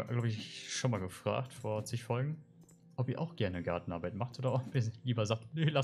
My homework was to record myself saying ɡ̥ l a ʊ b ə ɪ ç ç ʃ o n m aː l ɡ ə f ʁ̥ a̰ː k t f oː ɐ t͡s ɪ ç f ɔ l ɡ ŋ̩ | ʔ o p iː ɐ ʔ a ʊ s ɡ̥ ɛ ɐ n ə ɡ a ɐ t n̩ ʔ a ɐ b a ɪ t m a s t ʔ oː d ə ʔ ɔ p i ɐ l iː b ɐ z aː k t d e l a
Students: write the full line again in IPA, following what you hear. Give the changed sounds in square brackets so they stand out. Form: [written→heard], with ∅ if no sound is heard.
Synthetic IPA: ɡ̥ l a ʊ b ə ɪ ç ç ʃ o n m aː l ɡ ə f ʁ̥ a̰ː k t f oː ɐ t͡s ɪ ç f ɔ l ɡ ŋ̩ | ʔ [o→ɔ] p iː ɐ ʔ a ʊ [s→x] ɡ̥ ɛ ɐ n ə ɡ a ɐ t n̩ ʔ a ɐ b a ɪ t m a [s→χ] t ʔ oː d [ə→ɐ] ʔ ɔ p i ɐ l iː b ɐ z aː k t [d→n] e l a